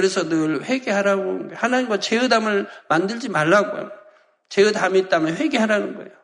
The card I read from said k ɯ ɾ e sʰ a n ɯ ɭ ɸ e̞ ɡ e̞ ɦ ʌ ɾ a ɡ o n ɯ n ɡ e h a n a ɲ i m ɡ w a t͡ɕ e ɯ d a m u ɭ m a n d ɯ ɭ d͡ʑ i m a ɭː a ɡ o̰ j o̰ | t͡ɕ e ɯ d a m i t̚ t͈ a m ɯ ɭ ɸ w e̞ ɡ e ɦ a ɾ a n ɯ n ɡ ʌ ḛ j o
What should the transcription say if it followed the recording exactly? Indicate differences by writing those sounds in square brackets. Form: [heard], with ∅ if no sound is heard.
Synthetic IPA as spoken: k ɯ ɾ e sʰ [ʌ] n ɯ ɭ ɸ e̞ ɡ e̞ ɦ [a] ɾ a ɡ o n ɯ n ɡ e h a n a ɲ i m ɡ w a t͡ɕ e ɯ d a m [ɯ] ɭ m a n d ɯ ɭ d͡ʑ i m a ɭː a ɡ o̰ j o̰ | t͡ɕ e ɯ d a m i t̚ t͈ a m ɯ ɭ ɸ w e̞ ɡ e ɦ a ɾ a n ɯ n ɡ ʌ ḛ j o